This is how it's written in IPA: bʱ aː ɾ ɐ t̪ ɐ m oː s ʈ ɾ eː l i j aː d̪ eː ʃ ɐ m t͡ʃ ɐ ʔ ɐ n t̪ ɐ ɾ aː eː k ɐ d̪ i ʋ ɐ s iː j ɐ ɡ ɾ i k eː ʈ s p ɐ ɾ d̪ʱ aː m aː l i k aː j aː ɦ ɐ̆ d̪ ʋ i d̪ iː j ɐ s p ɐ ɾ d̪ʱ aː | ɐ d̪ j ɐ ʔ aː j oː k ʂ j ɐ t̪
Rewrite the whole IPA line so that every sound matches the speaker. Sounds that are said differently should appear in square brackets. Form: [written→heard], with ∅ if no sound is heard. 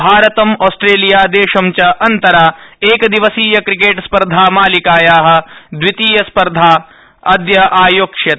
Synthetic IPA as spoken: bʱ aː ɾ ɐ t̪ ɐ m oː s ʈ ɾ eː l i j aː d̪ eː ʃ ɐ m t͡ʃ ɐ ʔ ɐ n t̪ ɐ ɾ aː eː k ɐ d̪ i ʋ ɐ s iː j ɐ [ɡ→k] ɾ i k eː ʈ s p ɐ ɾ d̪ʱ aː m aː l i k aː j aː ɦ ɐ̆ d̪ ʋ i [d̪→t̪] iː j ɐ s p ɐ ɾ d̪ʱ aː | ɐ d̪ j ɐ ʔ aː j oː k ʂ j ɐ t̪